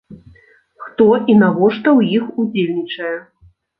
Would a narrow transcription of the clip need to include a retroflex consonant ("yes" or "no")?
yes